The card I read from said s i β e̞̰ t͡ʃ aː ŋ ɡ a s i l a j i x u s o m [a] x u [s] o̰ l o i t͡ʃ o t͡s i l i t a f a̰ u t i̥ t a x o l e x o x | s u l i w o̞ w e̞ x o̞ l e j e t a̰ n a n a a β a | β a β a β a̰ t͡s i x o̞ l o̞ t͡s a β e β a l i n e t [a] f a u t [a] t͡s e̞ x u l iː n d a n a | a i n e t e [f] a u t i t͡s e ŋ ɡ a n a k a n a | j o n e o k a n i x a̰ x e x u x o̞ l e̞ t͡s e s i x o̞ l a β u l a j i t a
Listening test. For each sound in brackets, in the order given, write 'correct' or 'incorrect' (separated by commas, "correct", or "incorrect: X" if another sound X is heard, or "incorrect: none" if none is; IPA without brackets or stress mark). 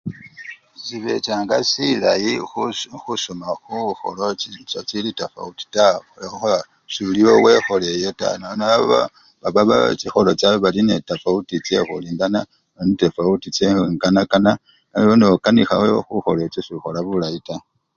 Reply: correct, incorrect: x, correct, incorrect: i, correct